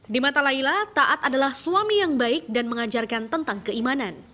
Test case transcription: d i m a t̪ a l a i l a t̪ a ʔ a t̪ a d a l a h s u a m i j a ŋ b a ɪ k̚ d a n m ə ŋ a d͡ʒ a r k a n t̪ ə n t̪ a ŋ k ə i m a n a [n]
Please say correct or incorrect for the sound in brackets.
correct